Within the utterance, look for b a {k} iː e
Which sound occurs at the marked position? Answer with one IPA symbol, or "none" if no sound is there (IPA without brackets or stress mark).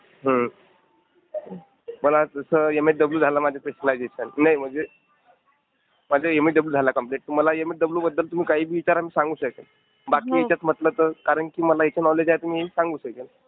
k